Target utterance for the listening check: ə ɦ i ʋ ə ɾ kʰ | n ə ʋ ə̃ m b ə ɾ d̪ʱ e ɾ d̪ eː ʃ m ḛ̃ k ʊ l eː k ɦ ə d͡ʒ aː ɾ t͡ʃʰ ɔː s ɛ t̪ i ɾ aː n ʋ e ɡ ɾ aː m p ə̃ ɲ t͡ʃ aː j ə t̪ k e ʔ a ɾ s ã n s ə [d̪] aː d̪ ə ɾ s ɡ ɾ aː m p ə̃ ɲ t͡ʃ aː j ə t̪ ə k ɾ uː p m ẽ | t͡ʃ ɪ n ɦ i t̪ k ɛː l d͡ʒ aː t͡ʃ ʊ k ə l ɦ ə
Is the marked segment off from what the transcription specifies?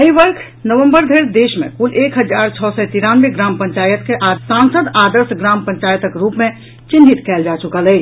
no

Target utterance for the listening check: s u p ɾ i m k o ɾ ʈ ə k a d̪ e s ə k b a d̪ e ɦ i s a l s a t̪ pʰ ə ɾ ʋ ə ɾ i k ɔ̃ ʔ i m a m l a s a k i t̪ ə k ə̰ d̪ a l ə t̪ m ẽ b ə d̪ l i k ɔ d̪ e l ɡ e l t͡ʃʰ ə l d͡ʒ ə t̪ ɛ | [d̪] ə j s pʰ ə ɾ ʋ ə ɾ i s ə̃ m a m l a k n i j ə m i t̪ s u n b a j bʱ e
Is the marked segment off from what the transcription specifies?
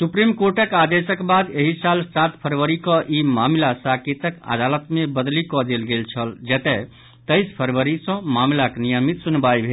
yes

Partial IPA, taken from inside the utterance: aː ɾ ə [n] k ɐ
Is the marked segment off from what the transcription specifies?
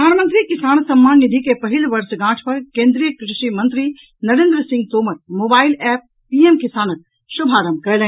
yes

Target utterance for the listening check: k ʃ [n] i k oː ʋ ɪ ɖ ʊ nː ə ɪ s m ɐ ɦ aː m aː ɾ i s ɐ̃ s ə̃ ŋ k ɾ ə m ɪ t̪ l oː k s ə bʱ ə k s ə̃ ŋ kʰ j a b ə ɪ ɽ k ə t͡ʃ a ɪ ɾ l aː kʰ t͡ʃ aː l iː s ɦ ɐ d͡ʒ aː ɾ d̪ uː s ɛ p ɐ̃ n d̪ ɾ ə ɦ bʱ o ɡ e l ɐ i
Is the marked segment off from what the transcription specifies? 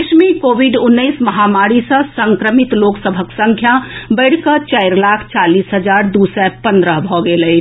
yes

